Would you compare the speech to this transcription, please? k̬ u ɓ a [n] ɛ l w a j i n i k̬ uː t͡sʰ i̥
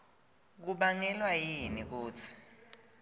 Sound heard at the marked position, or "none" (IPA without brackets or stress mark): ŋ